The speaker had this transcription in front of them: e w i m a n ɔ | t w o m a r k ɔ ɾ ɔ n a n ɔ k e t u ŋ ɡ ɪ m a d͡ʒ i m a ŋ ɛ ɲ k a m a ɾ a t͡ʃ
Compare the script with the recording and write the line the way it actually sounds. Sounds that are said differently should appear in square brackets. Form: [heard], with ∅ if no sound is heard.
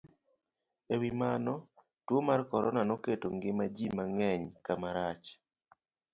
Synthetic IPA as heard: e w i m a n ɔ | t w o m a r k ɔ ɾ ɔ n a n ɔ k e t [o] ŋ ɡ ɪ m a d͡ʒ i m a ŋ ɛ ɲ k a m a ɾ a t͡ʃ